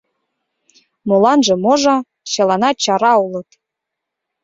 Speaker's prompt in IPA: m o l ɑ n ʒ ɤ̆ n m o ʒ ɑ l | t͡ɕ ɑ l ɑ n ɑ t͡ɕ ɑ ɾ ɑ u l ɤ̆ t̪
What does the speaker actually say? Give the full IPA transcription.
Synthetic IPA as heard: m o l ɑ n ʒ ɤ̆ m o ʒ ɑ | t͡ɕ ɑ l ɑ n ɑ t͡ɕ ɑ ɾ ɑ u l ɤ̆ t̪